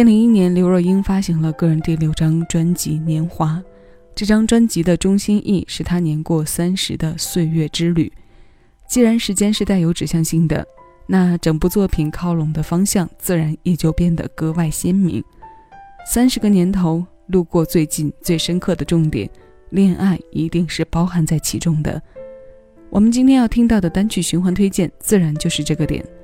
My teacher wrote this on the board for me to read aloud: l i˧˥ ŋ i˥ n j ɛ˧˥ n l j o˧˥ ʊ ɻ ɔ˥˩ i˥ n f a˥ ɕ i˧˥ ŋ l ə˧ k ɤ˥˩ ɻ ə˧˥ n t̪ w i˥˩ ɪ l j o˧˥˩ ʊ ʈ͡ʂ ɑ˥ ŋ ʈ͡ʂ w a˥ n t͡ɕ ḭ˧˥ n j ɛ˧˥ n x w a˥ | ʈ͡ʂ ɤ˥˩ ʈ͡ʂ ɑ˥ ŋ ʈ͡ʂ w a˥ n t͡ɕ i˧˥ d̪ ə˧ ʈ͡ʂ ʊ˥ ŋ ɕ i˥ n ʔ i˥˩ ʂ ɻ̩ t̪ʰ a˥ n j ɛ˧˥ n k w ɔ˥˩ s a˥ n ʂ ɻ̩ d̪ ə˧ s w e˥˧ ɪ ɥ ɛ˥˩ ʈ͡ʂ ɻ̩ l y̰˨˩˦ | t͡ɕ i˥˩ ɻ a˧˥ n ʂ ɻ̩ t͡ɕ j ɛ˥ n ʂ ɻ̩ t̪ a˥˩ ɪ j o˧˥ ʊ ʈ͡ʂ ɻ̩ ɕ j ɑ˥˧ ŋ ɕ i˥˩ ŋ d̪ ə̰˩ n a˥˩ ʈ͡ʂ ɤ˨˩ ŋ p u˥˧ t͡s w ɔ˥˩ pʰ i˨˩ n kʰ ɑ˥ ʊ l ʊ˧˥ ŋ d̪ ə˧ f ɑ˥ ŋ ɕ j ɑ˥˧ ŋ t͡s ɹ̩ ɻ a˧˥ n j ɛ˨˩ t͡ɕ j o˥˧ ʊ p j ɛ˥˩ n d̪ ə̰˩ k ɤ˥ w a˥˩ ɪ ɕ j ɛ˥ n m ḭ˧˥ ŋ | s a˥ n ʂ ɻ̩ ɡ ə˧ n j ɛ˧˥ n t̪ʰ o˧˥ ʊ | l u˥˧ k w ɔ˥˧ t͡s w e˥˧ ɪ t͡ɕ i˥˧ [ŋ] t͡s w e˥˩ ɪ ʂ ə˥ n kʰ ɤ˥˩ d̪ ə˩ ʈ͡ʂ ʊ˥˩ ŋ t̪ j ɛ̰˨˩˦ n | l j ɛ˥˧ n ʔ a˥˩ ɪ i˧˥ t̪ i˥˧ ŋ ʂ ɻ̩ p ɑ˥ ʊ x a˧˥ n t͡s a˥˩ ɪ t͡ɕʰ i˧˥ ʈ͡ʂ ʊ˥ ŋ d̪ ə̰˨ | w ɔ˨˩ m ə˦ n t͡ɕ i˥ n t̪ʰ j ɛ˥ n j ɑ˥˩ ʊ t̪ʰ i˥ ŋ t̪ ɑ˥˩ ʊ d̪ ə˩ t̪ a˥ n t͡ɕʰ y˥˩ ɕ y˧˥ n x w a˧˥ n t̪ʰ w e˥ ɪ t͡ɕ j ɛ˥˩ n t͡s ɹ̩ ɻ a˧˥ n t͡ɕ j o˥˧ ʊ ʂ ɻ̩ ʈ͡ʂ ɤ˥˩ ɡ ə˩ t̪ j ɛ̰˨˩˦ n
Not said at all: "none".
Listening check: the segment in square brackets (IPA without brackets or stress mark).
n